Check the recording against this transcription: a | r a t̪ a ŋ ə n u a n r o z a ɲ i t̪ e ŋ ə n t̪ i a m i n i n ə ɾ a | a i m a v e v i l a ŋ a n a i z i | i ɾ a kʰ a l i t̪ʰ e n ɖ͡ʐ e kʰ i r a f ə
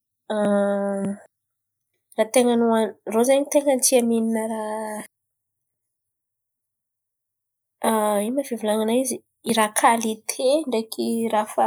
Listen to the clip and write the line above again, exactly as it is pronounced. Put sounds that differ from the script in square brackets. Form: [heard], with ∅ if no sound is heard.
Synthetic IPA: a | r a t̪ [e] ŋ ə n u a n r o z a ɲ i t̪ e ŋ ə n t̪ i a m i n i n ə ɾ a | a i m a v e v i l a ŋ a n a i z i | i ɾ a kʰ a l i t̪ʰ e [ɳ] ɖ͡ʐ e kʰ i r a f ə